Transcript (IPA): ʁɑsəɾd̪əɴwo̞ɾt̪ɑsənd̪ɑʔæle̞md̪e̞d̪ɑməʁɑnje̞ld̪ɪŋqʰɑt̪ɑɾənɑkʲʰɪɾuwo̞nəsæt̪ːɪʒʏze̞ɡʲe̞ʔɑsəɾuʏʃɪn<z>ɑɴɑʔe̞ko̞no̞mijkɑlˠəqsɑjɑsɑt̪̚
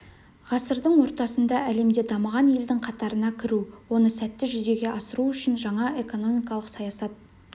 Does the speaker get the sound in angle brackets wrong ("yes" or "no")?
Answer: yes